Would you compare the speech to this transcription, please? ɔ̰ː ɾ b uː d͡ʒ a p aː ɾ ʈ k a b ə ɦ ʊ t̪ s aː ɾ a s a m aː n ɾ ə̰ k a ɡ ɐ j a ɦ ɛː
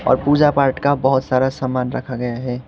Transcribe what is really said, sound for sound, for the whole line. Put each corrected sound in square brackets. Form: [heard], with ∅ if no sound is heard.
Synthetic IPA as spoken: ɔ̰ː ɾ [p] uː d͡ʒ a p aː ɾ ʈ k a b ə ɦ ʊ t̪ s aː ɾ a s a m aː n ɾ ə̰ [kʰ] a ɡ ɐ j a ɦ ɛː